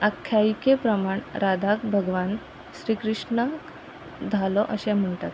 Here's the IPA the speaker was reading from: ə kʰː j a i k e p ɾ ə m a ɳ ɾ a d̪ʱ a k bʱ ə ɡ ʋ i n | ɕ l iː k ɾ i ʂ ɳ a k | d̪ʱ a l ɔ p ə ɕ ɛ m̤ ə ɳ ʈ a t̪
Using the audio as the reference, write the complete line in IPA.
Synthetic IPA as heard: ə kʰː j a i k e p ɾ ə m a ɳ ɾ a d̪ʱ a k bʱ ə ɡ ʋ a n | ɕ ɾ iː k ɾ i ʂ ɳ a k | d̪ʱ a l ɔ ʔ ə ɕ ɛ m̤ ə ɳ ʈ a t̪